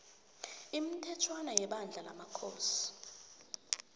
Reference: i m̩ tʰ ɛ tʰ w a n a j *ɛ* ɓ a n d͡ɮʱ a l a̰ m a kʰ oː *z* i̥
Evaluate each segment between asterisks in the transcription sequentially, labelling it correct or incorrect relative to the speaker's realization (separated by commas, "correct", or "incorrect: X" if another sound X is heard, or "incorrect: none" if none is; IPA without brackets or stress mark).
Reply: correct, incorrect: s